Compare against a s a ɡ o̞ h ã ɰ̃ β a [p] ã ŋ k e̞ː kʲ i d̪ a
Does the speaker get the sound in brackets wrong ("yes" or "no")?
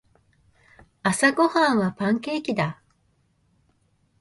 no